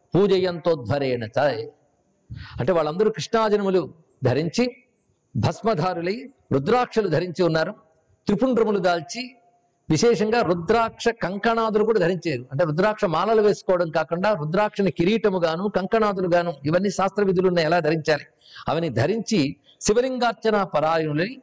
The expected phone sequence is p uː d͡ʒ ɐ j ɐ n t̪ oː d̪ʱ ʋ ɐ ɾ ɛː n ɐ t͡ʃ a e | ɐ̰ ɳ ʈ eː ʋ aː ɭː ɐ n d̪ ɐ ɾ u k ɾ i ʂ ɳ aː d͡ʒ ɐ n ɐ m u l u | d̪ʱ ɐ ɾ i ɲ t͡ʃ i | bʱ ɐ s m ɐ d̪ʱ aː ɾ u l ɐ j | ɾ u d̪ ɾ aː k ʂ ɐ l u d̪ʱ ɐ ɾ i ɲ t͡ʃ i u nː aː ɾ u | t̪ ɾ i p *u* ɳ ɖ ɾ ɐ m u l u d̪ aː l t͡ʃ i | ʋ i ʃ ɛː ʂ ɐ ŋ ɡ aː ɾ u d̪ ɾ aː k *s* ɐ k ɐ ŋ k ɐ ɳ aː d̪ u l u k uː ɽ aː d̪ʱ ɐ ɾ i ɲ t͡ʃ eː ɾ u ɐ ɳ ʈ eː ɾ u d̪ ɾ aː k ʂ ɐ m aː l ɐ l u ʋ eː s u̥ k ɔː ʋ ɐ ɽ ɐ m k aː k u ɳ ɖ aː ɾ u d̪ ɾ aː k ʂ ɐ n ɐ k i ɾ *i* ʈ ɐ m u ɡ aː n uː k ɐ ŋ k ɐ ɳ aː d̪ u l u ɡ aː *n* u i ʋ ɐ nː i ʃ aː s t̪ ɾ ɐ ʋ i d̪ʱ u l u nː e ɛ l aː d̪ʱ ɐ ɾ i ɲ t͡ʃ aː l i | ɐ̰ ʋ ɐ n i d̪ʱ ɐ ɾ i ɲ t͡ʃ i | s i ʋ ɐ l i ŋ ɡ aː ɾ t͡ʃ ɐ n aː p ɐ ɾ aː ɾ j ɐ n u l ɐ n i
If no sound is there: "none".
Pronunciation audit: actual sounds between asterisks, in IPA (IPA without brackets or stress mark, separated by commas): u, ʂ, iː, n